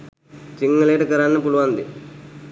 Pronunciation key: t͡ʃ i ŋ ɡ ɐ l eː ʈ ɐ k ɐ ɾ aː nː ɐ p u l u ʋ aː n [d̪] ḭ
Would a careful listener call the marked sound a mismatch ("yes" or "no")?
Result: no